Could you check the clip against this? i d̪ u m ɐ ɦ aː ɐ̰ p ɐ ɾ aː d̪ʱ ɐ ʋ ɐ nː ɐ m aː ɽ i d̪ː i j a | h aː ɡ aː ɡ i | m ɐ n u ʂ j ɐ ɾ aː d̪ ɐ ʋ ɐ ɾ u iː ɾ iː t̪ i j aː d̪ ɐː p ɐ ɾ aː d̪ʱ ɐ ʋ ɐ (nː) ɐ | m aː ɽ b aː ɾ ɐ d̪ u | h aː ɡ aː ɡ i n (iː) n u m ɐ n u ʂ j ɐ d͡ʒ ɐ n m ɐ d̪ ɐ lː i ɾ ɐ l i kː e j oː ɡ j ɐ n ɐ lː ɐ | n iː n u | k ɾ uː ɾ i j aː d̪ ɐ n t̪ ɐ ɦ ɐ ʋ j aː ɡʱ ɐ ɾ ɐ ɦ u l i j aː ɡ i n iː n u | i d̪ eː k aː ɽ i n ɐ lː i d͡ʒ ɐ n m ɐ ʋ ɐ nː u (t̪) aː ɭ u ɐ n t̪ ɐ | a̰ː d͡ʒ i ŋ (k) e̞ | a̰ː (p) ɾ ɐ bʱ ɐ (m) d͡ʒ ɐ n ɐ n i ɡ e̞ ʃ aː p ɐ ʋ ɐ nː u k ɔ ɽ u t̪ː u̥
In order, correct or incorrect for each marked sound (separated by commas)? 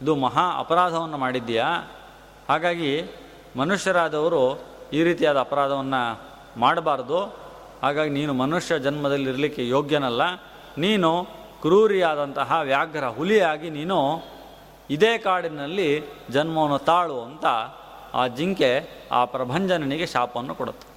correct, correct, correct, correct, correct, incorrect